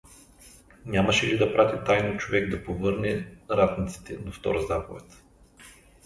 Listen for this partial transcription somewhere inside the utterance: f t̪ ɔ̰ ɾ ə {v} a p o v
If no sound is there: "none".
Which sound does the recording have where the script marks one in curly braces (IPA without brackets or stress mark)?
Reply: z